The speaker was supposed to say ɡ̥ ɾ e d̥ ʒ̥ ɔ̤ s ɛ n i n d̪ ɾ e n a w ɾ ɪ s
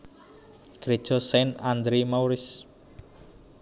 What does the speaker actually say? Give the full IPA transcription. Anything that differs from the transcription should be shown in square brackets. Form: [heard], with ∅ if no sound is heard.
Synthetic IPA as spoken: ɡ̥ ɾ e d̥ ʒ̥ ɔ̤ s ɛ n [a] n d̪ ɾ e [m] a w ɾ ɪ s